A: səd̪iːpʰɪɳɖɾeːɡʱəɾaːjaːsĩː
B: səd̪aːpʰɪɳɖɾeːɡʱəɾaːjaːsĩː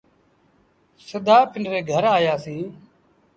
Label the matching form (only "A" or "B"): B